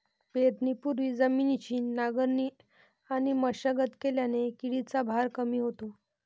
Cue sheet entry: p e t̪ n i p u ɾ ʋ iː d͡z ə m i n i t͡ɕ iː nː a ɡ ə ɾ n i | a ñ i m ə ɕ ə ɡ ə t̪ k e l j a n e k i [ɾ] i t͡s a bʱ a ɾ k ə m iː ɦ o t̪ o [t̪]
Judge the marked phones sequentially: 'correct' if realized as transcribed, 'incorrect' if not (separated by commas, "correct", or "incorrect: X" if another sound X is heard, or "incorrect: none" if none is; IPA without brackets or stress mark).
incorrect: ɽ, incorrect: none